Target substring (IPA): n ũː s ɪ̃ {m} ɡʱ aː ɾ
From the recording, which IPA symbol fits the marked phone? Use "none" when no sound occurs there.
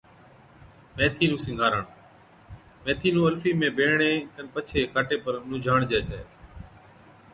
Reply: ŋ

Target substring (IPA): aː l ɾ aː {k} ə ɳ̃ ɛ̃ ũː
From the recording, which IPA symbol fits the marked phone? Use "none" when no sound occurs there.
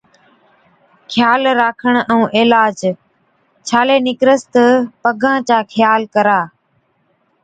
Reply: kʰ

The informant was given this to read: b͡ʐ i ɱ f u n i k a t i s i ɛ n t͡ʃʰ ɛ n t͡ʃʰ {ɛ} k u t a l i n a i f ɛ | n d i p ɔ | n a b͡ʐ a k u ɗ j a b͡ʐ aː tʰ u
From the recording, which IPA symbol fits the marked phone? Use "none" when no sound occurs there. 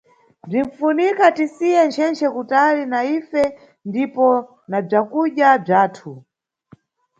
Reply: ɛ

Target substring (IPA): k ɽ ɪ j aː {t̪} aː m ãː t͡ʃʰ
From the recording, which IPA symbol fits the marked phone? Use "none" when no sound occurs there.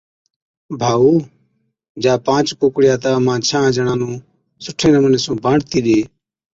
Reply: t̪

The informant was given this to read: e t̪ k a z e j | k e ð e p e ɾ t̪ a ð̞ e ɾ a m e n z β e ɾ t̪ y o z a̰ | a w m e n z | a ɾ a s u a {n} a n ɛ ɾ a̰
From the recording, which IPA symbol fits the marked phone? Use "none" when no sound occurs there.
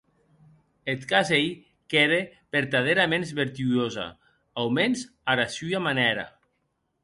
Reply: m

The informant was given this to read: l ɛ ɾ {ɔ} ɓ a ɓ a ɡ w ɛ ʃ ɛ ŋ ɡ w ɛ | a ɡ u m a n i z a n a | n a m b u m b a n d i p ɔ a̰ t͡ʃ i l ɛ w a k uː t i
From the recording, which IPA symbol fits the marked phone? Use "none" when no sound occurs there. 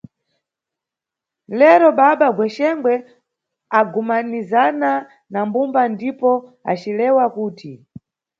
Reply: ɔ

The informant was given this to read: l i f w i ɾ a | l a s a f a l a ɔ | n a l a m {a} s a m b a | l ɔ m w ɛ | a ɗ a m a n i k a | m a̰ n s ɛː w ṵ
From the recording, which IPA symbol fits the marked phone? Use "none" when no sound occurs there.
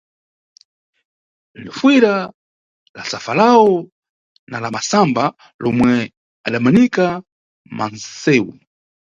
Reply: a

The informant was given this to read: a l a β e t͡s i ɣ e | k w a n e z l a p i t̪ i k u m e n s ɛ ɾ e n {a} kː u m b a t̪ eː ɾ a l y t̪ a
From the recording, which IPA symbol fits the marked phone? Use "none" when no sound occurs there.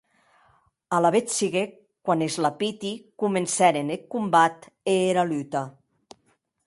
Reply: e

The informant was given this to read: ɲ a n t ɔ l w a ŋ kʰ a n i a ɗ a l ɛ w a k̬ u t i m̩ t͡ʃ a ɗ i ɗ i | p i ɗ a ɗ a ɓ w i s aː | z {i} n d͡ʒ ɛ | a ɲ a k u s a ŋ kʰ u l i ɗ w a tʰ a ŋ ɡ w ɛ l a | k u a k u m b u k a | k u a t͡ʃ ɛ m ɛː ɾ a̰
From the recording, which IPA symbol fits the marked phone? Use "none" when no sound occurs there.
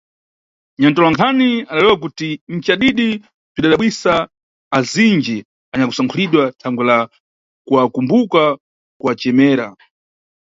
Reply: i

